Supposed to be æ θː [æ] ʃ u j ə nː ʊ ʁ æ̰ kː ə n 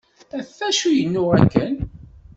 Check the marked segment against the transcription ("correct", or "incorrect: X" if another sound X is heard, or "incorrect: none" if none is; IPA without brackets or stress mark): correct